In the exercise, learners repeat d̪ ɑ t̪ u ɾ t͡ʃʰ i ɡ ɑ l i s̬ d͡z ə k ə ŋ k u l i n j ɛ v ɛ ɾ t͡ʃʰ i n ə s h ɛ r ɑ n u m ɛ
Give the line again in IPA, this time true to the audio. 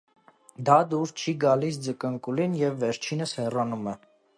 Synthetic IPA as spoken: d̪ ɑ d̪ u ɾ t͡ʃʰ i ɡ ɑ l i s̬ d͡z ə k ə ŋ k u l i n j ɛ vː ɛ ɾ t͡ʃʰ i n ə s h ɛ r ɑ n u m ɛ